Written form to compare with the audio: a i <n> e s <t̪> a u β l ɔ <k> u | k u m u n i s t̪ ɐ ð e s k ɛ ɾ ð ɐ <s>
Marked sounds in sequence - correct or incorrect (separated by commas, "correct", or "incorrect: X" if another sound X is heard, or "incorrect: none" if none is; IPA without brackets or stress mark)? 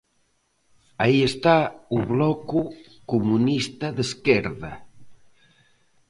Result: incorrect: none, correct, correct, incorrect: none